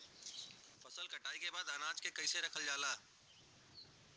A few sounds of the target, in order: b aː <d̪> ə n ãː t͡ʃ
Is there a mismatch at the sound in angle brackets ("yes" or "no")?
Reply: no